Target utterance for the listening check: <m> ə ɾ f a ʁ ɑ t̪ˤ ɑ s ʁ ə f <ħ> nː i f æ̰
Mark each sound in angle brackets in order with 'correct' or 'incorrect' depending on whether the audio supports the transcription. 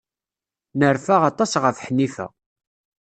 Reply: incorrect: n, correct

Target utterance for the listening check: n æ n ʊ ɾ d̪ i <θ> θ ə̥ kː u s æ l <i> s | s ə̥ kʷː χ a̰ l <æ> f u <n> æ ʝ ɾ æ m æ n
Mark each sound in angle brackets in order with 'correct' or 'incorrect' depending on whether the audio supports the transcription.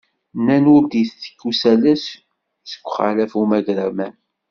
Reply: correct, incorrect: æ, correct, incorrect: m

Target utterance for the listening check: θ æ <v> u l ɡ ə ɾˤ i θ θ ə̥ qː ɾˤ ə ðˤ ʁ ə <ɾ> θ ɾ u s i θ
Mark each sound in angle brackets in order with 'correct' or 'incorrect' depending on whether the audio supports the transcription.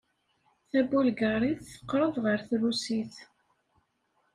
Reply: incorrect: b, correct

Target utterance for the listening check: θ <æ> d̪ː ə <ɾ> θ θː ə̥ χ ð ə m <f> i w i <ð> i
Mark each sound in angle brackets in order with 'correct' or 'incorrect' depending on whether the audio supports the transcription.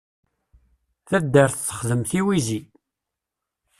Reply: correct, correct, incorrect: θ, incorrect: z

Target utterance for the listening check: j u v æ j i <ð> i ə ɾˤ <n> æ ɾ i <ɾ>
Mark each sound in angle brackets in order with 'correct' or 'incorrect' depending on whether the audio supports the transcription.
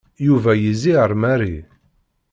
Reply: incorrect: z, incorrect: m, incorrect: none

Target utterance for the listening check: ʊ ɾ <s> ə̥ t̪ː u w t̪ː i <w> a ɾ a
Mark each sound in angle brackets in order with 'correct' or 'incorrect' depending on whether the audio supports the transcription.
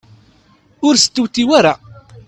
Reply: correct, correct

